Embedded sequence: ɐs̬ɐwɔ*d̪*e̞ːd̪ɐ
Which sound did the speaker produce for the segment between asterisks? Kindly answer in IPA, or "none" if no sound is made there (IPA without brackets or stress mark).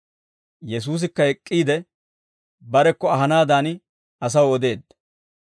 d̪